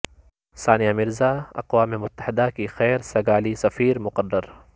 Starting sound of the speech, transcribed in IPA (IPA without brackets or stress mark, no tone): s